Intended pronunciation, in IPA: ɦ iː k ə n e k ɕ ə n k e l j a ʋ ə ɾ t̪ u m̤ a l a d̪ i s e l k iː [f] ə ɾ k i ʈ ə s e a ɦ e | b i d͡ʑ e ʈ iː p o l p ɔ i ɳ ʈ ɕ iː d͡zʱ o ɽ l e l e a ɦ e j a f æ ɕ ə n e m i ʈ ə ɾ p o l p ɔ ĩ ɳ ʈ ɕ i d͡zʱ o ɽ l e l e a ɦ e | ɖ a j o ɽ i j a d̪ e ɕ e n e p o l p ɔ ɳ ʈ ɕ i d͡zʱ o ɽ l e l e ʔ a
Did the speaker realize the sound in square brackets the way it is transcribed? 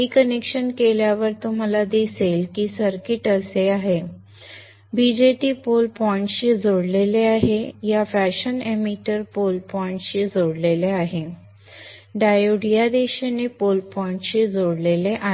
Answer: no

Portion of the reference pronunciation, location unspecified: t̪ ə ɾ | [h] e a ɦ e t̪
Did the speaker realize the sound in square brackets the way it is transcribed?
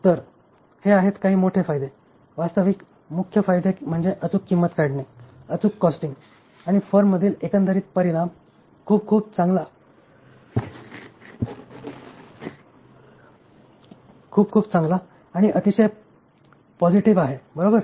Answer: yes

